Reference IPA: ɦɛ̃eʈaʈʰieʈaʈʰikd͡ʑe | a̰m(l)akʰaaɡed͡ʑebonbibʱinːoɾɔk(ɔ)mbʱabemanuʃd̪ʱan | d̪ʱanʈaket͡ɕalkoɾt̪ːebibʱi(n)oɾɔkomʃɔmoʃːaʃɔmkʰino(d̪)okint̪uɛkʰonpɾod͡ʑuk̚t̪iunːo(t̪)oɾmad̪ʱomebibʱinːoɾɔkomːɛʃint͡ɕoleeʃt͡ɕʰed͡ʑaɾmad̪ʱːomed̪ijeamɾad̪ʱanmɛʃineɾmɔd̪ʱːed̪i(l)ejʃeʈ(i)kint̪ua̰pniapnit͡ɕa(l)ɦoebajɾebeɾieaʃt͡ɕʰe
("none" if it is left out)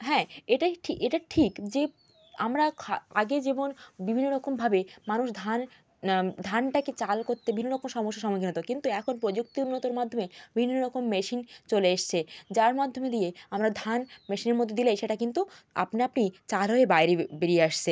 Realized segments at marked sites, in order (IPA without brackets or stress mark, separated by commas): ɾ, o, nː, t̪, t̪, l, a, l